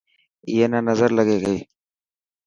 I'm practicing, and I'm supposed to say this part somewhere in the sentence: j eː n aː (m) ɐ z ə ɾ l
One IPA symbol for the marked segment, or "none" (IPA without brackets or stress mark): n